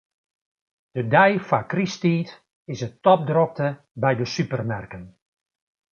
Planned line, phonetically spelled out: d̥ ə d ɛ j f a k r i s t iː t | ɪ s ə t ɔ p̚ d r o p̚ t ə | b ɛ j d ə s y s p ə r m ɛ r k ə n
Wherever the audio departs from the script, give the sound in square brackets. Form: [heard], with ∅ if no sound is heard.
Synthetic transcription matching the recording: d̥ ə d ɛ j f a k r i s t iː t | ɪ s ə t ɔ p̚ d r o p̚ t ə | b ɛ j d ə s y [∅] p ə r m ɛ r k ə n